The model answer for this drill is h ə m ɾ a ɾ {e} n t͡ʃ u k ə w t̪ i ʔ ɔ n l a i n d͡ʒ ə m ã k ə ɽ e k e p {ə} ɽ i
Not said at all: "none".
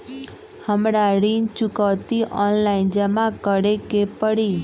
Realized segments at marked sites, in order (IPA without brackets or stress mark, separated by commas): i, ə